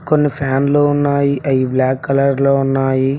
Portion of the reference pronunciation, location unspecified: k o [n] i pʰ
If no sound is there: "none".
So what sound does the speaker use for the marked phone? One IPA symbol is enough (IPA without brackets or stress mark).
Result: nː